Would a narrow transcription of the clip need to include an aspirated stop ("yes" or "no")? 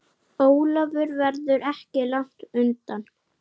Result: no